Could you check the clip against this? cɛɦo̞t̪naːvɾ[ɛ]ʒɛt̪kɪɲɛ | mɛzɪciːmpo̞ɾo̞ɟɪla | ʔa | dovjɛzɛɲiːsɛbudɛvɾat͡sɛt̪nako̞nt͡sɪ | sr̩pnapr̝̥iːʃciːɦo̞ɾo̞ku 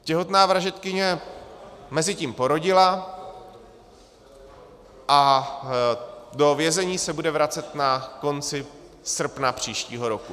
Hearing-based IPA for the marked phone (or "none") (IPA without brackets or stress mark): a